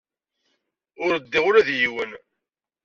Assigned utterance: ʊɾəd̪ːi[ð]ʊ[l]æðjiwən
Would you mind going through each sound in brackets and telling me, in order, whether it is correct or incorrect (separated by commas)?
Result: incorrect, incorrect